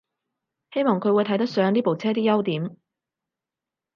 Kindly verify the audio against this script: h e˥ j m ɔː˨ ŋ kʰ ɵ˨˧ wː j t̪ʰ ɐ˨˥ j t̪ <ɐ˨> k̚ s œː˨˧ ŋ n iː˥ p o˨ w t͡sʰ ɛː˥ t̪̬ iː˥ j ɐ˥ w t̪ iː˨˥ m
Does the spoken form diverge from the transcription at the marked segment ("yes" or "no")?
yes